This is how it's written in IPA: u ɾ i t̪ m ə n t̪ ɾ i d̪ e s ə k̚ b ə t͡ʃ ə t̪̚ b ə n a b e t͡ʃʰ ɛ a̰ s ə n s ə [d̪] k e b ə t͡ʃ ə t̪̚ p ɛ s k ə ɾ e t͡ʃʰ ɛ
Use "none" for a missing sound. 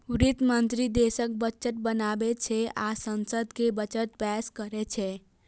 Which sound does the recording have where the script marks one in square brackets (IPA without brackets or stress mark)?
d̪